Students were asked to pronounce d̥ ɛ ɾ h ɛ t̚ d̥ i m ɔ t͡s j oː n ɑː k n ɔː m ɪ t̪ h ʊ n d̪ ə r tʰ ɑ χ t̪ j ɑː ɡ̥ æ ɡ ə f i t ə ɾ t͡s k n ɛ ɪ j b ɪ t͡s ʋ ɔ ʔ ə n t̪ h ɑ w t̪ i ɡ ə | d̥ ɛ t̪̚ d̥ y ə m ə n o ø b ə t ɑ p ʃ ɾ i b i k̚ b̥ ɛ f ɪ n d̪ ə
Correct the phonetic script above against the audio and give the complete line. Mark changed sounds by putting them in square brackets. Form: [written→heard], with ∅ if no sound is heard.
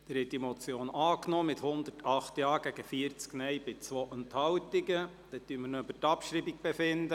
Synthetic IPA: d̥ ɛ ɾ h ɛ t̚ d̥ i m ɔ t͡s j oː n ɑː k n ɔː m ɪ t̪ h ʊ n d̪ ə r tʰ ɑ χ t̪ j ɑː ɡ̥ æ ɡ ə f i [t→∅] ə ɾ t͡s k n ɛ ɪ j b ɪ t͡s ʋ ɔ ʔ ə n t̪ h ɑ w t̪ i ɡ ə | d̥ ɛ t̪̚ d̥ y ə m ə n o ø b ə t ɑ p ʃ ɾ i b i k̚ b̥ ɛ f ɪ n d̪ ə